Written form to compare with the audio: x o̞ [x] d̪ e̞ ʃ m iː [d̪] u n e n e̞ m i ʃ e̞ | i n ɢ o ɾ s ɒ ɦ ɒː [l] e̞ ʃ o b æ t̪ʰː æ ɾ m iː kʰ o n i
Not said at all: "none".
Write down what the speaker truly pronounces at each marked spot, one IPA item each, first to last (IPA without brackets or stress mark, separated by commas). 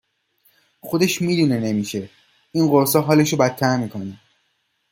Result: none, d̪, l